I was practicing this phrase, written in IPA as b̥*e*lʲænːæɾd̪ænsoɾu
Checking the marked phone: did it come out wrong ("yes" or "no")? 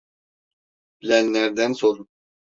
yes